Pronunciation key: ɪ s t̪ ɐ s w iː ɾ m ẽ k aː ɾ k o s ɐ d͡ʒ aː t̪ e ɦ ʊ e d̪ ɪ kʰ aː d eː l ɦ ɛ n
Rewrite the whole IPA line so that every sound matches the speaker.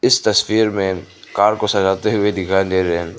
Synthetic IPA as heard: ɪ s t̪ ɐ s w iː ɾ m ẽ k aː ɾ k o s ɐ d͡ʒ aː t̪ e ɦ ʊ e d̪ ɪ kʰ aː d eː ɾ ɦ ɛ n